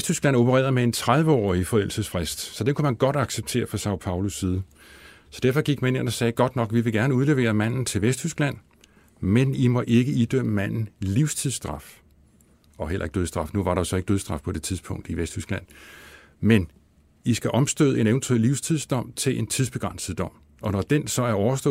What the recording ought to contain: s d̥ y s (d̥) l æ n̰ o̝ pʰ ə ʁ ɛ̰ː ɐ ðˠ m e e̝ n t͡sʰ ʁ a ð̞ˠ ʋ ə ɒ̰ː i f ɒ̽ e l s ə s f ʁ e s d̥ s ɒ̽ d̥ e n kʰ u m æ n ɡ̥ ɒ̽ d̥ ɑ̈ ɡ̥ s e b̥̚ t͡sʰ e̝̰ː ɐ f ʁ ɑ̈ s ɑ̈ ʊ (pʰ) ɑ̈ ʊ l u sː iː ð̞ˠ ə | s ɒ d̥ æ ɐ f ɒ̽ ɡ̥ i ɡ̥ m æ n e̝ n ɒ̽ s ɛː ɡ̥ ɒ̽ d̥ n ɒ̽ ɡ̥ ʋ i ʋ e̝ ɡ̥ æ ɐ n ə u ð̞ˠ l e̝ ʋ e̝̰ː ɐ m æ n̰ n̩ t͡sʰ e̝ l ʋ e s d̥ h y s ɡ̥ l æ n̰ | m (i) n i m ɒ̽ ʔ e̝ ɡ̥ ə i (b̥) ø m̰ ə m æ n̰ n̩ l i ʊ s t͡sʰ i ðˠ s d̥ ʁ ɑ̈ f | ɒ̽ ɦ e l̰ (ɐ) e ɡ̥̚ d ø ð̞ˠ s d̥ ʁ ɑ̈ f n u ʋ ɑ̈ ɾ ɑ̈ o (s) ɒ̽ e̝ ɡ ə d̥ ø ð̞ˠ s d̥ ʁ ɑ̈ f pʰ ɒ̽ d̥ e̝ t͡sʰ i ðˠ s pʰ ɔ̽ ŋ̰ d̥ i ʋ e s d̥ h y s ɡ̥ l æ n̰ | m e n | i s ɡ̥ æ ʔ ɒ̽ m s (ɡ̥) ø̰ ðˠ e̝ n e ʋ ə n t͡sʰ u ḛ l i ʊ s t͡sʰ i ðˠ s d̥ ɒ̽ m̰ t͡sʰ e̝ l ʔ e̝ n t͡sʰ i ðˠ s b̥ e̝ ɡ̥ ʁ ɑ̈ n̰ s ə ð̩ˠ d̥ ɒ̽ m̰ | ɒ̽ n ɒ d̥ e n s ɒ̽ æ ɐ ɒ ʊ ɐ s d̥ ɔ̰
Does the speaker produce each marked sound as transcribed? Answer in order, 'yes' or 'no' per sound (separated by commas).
no, yes, no, no, yes, yes, no